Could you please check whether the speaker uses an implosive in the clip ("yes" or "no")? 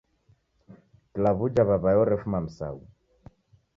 no